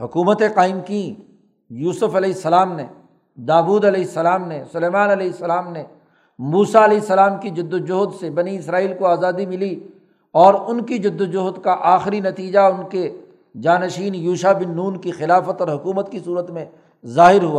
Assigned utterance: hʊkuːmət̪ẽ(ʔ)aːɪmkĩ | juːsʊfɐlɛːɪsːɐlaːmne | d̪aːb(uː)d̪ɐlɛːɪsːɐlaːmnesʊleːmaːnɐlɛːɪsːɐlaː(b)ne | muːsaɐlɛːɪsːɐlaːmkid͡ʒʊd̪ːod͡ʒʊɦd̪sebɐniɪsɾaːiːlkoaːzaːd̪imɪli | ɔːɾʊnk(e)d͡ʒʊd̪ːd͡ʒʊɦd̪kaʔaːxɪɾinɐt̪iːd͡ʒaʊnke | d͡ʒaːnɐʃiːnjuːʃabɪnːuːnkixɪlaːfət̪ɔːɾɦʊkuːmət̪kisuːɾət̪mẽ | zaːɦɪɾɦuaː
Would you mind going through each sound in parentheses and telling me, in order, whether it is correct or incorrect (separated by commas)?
incorrect, correct, incorrect, incorrect